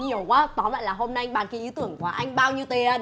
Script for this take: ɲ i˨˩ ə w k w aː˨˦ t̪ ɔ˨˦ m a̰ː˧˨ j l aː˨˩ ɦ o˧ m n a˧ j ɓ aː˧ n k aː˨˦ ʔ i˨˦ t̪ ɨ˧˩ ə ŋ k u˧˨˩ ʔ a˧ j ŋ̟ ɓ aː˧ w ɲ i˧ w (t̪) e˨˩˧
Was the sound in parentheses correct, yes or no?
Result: yes